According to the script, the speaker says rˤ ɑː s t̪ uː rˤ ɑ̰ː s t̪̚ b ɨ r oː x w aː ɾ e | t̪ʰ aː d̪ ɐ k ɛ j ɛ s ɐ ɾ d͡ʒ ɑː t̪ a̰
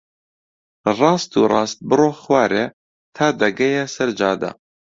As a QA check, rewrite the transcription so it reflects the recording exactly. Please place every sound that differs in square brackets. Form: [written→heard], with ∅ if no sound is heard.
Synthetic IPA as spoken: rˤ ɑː s t̪ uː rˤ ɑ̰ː s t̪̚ b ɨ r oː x w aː ɾ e | t̪ʰ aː d̪ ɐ [k→ɡ] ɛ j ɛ s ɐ ɾ d͡ʒ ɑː [t̪→d̪] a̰